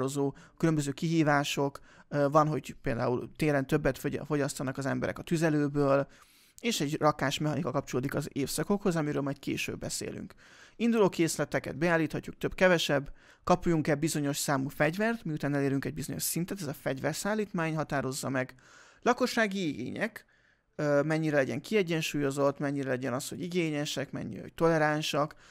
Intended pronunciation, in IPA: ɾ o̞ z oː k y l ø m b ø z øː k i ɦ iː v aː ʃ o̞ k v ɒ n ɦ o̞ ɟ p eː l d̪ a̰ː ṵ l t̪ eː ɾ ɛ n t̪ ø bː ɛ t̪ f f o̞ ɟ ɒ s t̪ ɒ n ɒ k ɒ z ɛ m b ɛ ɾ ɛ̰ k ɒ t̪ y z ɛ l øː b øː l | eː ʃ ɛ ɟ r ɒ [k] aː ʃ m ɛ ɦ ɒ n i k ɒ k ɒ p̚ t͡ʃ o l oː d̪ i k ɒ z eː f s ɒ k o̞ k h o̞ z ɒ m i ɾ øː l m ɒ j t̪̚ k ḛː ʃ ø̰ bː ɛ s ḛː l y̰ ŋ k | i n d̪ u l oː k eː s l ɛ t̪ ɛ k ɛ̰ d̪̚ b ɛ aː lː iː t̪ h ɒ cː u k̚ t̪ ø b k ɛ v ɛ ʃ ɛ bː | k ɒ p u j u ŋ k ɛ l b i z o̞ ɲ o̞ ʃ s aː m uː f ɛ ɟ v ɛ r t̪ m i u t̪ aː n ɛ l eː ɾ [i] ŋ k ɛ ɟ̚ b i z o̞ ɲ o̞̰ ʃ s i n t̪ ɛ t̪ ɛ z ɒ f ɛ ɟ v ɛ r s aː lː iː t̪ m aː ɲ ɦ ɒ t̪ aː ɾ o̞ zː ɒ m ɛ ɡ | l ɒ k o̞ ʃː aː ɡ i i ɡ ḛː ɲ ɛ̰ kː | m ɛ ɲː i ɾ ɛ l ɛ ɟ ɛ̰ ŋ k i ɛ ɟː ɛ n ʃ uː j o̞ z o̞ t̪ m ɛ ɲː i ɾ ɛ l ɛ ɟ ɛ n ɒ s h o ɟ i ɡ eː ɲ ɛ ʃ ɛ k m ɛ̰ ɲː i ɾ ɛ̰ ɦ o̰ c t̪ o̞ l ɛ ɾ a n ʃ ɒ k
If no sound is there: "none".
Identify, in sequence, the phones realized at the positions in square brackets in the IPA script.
k, y

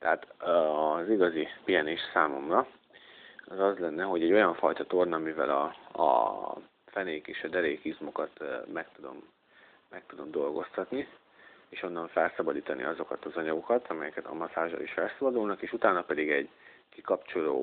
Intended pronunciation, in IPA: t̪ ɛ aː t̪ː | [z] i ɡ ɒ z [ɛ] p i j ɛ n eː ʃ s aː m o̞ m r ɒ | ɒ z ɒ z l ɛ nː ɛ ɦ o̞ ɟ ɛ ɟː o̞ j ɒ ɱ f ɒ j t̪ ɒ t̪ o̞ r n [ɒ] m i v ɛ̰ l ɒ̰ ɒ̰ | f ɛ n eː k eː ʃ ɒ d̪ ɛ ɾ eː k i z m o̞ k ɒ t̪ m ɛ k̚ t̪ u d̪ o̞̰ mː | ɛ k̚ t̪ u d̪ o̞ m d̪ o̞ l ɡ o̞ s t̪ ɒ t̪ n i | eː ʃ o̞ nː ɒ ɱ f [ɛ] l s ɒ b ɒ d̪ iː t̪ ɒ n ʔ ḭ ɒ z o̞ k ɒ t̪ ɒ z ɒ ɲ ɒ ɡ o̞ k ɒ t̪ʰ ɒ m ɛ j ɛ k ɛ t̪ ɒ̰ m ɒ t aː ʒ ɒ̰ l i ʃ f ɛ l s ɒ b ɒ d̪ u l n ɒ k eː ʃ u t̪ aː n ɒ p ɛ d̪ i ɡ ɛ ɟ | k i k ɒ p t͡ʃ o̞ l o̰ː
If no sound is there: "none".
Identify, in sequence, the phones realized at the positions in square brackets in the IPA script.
z, i, ɒ, ɛ

